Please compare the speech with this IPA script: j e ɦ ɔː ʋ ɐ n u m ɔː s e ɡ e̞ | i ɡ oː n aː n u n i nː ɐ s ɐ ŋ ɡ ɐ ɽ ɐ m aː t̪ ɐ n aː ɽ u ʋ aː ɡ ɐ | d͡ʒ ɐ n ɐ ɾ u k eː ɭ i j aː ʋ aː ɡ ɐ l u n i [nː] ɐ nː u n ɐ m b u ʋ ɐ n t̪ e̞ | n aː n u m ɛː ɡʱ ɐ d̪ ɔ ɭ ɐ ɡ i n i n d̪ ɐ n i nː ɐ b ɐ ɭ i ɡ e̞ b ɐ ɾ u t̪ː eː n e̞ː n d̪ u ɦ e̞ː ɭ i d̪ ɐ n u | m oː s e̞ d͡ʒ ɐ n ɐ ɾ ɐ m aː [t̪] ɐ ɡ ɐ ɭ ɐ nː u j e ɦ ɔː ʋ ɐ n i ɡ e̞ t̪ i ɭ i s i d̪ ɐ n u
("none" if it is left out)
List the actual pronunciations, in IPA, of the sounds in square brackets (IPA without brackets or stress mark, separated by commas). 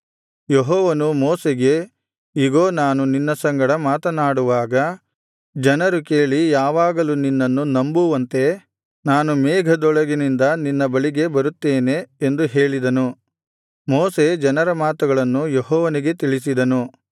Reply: nː, t̪